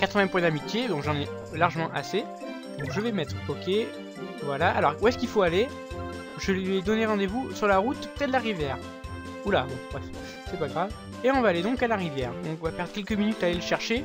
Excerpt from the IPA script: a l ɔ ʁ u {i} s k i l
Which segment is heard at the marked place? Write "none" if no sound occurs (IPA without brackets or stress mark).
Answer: ɛ